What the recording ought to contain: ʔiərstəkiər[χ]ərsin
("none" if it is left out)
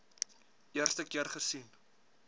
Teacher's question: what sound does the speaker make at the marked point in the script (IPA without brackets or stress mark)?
χ